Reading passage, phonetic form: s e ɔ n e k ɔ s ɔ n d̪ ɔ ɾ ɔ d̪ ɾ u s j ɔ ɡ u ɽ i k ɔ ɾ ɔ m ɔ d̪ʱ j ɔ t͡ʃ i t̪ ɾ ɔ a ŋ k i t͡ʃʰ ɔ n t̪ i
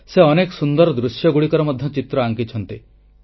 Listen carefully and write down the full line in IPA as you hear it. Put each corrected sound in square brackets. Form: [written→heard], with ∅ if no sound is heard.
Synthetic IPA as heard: s e ɔ n e k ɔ s [ɔ→u] n d̪ ɔ ɾ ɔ d̪ ɾ u s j ɔ ɡ u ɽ i k ɔ ɾ ɔ m ɔ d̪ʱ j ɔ t͡ʃ i t̪ ɾ ɔ a ŋ k i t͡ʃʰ ɔ n t̪ i

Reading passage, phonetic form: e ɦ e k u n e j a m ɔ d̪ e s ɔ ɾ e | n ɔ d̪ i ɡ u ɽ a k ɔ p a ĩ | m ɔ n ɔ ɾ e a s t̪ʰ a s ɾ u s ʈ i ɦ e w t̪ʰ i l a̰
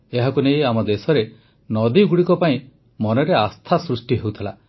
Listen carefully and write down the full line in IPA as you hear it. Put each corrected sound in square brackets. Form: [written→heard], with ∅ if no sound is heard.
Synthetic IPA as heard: e ɦ [e→a] k u n e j a m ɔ d̪ e s ɔ ɾ e | n ɔ d̪ i ɡ u ɽ [a→i] k ɔ p a ĩ | m ɔ n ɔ ɾ e a s t̪ʰ a s ɾ u s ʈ i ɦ e w t̪ʰ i l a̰

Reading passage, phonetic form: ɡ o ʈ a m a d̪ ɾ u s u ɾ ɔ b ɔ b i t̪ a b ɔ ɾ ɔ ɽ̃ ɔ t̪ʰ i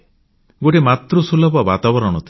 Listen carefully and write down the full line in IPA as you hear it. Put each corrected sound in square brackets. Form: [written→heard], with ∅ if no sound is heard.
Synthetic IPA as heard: ɡ o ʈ [a→e] m a [d̪→t̪] ɾ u s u [ɾ→l] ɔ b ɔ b [i→a] t̪ a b ɔ ɾ ɔ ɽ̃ ɔ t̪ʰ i

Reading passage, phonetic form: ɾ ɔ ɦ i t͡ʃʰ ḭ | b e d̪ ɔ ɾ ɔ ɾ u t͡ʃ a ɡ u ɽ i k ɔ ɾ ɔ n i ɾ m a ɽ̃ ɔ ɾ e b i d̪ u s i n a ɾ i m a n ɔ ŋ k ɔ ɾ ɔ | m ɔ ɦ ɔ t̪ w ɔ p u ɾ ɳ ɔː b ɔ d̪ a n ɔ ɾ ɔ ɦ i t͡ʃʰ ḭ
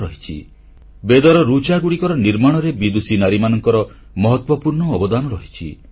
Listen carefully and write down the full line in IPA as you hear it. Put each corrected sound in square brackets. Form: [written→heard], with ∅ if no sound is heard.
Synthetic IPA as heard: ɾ ɔ ɦ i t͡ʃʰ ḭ | b e d̪ ɔ ɾ ɔ ɾ u t͡ʃ a ɡ u ɽ i k ɔ ɾ ɔ n i ɾ m a ɽ̃ ɔ ɾ e b i d̪ u s i n a ɾ i m a n ɔ ŋ k ɔ ɾ ɔ | m ɔ ɦ ɔ t̪ w ɔ p u ɾ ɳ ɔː b ɔ d̪ a n ɔ ɾ ɔ ɦ i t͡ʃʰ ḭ

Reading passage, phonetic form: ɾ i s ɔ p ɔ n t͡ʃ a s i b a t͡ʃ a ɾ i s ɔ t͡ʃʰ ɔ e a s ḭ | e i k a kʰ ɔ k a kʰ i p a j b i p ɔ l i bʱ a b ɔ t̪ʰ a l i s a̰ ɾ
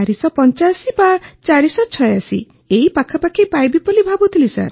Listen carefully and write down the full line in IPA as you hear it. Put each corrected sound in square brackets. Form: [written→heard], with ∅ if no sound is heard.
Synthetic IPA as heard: ɾ i s ɔ p ɔ n t͡ʃ a s i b a t͡ʃ a ɾ i s ɔ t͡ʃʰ ɔ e a s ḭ | e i [k→p] a kʰ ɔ [k→p] a kʰ i p a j b i p ɔ l i bʱ a b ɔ t̪ʰ [a→i] l i s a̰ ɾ

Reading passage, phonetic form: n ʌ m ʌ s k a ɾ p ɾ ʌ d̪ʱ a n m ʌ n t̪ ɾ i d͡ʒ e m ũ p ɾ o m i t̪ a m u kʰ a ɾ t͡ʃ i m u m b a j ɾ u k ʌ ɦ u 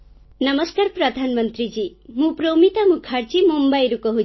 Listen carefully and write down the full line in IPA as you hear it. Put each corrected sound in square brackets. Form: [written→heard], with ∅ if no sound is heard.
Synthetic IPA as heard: n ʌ m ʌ s k a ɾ p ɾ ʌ d̪ʱ a n m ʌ n t̪ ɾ i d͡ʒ [e→i] m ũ p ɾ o m i t̪ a m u kʰ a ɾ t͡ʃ i m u m b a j ɾ u k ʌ ɦ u

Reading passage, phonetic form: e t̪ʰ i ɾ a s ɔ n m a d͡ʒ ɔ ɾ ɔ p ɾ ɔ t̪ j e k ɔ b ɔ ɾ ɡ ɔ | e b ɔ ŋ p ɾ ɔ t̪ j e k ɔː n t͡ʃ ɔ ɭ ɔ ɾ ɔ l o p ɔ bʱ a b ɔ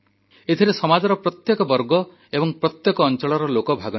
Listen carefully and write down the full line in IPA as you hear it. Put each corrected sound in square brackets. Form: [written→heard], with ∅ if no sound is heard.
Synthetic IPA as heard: e t̪ʰ i ɾ [a→e] s ɔ [n→∅] m a d͡ʒ ɔ ɾ ɔ p ɾ ɔ t̪ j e k ɔ b ɔ ɾ ɡ ɔ | e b ɔ ŋ p ɾ ɔ t̪ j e k ɔː n t͡ʃ ɔ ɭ ɔ ɾ ɔ l o [p→k] ɔ bʱ a [b→ɡ] ɔ

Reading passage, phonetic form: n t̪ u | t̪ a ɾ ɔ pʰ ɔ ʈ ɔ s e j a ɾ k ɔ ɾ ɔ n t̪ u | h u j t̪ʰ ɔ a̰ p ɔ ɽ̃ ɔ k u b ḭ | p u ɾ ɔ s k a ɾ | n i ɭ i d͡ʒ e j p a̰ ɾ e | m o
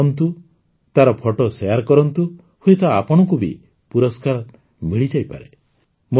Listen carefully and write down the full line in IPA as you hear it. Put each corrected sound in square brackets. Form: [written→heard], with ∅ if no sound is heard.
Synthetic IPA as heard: n t̪ u | t̪ a ɾ ɔ pʰ ɔ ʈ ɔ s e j a ɾ k ɔ ɾ ɔ n t̪ u | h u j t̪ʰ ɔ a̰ p ɔ ɽ̃ ɔ k u b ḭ | p u ɾ ɔ s k a ɾ | [n→m] i ɭ i d͡ʒ [e→a] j p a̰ ɾ e | m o

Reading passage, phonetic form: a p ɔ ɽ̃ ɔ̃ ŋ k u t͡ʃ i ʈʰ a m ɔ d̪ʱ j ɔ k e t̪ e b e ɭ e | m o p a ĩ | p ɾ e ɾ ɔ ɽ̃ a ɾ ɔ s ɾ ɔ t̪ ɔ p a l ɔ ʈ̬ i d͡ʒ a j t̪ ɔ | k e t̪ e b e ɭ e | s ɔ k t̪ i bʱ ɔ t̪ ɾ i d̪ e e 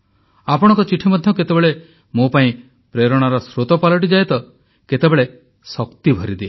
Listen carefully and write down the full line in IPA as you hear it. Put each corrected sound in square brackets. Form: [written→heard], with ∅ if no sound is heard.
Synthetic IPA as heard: a p ɔ ɽ̃ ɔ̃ ŋ k [u→ɔ] t͡ʃ i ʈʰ [a→i] m ɔ d̪ʱ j ɔ k e t̪ e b e ɭ e | m o p a ĩ | p ɾ e ɾ ɔ ɽ̃ a ɾ ɔ s ɾ [ɔ→o] t̪ ɔ p a l ɔ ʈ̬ i d͡ʒ a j t̪ ɔ | k e t̪ e b e ɭ e | s ɔ k t̪ i bʱ ɔ [t̪→∅] ɾ i d̪ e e

